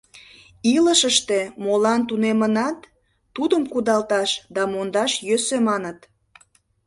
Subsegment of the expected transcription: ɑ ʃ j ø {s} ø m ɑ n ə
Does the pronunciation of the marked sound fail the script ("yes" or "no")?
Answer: no